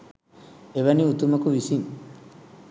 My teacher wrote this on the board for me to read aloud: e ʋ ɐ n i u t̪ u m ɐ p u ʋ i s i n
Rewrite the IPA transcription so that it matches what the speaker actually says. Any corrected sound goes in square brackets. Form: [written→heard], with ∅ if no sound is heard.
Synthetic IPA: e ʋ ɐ n i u t̪ u m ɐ [p→k] u ʋ i s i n